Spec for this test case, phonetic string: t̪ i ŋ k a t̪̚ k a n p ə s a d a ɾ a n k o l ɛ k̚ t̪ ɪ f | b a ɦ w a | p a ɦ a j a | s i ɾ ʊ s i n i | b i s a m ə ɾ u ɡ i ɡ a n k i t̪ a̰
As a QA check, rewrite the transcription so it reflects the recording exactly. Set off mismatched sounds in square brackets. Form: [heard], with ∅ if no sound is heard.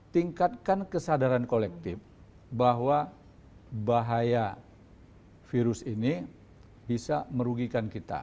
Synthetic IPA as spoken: t̪ i ŋ k a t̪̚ k a n [k] ə s a d a ɾ a n k o l ɛ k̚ t̪ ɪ f | b a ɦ w a | [b] a ɦ a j a | [f] i ɾ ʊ s i n i | b i s a m ə ɾ u ɡ i [k] a n k i t̪ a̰